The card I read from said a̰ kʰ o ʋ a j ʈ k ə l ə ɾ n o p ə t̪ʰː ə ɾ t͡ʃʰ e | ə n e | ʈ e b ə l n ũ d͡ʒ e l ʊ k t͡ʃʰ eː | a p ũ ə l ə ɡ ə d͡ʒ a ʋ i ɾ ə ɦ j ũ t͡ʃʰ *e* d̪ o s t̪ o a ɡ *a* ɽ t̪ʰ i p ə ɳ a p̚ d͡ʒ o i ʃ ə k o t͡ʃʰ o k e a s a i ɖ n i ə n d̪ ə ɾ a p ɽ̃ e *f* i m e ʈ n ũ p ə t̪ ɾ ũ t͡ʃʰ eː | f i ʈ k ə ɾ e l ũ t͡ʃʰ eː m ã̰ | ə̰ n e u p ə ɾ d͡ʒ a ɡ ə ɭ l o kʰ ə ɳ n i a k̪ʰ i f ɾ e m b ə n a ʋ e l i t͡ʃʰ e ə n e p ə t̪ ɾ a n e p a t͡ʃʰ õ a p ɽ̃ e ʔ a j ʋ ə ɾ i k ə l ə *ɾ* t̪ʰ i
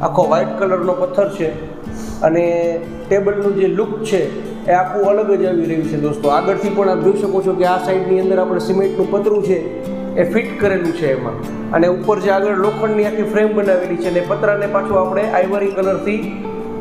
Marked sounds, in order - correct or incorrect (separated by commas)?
correct, incorrect, incorrect, correct